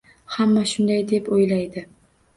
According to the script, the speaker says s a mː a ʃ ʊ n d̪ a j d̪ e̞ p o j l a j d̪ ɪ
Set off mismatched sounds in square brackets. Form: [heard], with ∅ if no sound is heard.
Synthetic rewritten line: [h] a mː a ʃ ʊ n d̪ a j d̪ e̞ p o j l a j d̪ ɪ